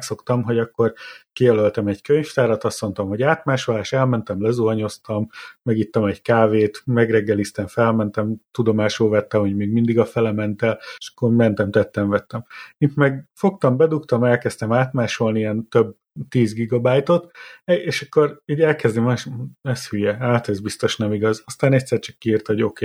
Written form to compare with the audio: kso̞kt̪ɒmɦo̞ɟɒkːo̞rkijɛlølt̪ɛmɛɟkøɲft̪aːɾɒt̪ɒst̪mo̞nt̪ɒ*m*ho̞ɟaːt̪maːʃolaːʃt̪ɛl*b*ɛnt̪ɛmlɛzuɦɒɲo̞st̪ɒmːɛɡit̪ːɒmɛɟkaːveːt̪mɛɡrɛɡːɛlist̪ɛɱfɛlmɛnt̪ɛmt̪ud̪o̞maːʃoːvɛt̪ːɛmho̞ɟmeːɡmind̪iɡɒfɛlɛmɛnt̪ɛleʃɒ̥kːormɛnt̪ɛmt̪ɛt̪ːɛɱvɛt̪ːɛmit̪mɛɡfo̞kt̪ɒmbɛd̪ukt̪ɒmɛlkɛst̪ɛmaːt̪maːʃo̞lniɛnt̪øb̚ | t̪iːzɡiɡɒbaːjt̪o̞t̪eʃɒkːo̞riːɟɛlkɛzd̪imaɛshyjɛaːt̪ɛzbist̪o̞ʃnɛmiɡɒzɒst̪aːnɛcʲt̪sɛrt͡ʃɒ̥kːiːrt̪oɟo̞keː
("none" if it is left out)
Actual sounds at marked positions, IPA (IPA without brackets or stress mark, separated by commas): m, m